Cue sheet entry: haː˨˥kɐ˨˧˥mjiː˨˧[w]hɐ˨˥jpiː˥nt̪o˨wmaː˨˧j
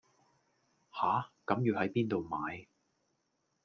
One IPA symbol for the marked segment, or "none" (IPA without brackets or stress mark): w